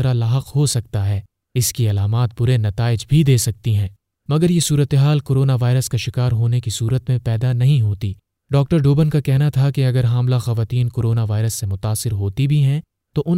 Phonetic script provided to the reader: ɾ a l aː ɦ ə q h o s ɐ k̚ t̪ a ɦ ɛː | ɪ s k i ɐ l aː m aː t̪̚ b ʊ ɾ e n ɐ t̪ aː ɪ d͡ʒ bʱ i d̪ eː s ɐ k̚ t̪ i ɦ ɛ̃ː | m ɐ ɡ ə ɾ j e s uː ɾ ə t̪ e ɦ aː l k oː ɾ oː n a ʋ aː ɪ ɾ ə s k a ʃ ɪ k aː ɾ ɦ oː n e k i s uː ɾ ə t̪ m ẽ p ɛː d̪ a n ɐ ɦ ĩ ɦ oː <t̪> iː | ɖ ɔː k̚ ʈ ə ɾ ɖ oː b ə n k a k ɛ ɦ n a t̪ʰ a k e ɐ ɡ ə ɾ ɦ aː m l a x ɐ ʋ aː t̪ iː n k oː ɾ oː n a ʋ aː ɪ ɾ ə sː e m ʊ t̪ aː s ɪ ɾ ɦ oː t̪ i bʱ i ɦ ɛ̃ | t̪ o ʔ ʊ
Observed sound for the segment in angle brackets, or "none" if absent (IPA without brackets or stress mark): t̪